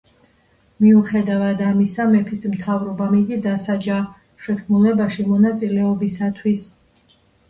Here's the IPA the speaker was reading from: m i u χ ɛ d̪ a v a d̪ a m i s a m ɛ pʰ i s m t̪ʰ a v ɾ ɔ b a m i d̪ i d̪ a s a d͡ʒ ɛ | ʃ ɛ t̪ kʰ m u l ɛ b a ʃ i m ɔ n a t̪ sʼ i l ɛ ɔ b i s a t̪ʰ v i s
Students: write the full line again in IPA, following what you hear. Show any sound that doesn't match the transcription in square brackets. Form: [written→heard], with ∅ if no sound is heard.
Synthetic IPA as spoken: m i u χ ɛ d̪ a v a d̪ a m i s a m ɛ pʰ i s m t̪ʰ a v ɾ ɔ b a m i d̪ i d̪ a s a d͡ʒ [ɛ→a] | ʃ ɛ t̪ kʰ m u l ɛ b a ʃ i m ɔ n a t̪ sʼ i l ɛ ɔ b i s a t̪ʰ [v→w] i s